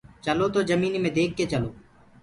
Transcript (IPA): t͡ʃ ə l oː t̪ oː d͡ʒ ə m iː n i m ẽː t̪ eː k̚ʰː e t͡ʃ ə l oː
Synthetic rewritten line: t͡ʃ ə l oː t̪ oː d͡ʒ ə m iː n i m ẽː d̪ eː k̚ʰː e t͡ʃ ə l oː